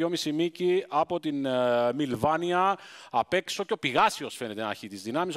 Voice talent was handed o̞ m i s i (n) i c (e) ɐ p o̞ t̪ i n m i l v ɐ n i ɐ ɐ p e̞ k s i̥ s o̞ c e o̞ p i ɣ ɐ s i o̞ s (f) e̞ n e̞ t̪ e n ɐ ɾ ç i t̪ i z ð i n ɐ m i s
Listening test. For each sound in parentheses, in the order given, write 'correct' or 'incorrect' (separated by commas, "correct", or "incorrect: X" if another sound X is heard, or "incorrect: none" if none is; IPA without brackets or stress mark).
incorrect: m, incorrect: i, correct